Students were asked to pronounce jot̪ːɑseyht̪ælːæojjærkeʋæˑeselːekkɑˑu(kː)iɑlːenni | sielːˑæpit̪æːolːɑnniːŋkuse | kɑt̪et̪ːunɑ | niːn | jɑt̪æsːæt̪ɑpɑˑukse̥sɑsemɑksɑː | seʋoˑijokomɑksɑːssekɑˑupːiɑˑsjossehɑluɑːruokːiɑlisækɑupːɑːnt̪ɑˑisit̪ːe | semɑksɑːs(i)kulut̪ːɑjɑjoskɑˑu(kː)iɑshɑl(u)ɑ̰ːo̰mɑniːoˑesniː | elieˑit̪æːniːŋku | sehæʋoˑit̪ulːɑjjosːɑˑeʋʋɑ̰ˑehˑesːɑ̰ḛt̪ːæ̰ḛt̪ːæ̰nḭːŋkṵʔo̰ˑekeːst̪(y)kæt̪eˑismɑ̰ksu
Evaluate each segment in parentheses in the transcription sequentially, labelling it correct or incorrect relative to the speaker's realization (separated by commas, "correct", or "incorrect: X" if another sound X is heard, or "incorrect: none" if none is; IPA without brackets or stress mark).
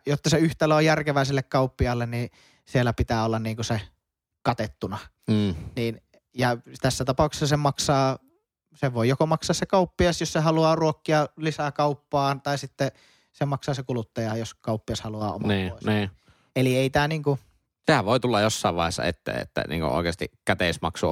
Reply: incorrect: pː, incorrect: e, incorrect: pː, correct, incorrect: i